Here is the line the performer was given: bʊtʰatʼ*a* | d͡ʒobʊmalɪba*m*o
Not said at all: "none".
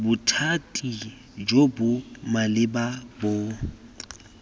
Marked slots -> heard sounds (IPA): i, b

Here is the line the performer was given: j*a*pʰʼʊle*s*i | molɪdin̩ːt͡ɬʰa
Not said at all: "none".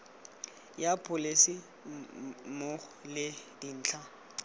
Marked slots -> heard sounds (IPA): a, s

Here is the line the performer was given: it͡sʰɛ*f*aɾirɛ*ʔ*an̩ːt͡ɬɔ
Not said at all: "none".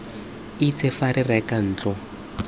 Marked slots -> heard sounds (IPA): f, k

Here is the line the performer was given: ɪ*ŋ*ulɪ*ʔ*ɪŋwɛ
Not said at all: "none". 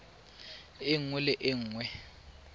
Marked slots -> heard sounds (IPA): ŋ, ʔ

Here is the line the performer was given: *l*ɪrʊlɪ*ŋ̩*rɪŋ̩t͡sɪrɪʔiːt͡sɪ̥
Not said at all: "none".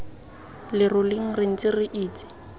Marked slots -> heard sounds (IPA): l, ŋ̩

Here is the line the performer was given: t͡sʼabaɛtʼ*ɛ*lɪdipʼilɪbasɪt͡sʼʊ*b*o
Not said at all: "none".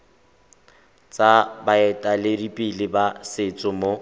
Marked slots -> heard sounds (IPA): a, m

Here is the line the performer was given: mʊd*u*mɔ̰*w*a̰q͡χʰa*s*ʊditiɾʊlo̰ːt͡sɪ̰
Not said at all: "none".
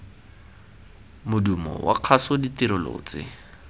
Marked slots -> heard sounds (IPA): u, w, s

